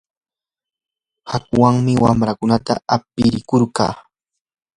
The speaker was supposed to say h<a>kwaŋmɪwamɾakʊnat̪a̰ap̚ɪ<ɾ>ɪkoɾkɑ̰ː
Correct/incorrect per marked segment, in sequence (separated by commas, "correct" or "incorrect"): correct, correct